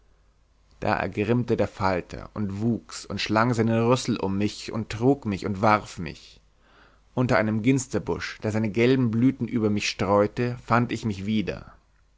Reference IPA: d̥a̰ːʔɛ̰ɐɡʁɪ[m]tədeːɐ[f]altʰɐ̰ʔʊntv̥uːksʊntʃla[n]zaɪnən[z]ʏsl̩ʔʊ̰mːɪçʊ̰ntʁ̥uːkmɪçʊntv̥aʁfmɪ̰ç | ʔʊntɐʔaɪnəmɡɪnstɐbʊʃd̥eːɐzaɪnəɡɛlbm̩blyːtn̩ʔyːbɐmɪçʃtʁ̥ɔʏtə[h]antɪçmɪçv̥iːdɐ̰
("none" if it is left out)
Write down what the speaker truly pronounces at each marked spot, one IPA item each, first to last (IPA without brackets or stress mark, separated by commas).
m, f, ŋ, ʁ, f